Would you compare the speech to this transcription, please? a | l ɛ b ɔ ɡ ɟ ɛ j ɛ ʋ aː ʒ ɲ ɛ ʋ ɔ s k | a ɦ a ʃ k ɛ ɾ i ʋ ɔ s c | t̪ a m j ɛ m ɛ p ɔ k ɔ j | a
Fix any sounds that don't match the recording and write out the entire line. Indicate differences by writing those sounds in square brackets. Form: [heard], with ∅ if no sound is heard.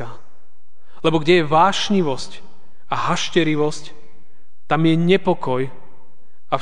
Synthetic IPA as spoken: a | l ɛ b ɔ ɡ ɟ ɛ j ɛ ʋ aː [ʃ] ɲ [i] ʋ ɔ s [c] | a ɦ a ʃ [c] ɛ ɾ i ʋ ɔ s c | t̪ a m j ɛ [ɲ] ɛ p ɔ k ɔ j | a